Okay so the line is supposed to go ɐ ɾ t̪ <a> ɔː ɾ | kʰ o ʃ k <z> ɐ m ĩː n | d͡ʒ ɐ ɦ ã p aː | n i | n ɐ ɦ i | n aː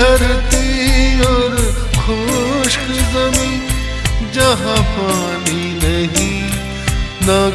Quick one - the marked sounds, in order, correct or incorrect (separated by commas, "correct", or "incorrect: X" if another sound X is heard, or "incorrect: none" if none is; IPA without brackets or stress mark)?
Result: incorrect: i, correct